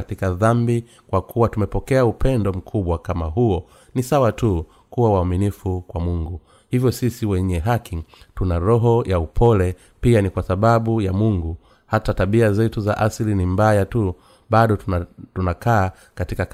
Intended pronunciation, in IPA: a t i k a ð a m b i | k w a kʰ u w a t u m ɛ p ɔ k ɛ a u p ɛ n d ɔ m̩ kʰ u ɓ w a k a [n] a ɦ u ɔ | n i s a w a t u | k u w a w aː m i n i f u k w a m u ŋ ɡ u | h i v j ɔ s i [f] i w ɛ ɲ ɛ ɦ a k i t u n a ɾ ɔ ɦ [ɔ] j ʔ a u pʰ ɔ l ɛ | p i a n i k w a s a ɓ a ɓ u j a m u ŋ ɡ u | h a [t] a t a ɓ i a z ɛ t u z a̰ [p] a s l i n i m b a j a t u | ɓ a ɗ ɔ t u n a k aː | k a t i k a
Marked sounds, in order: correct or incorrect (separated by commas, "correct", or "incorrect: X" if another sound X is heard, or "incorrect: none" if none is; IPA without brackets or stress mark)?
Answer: incorrect: m, incorrect: s, correct, correct, incorrect: ʔ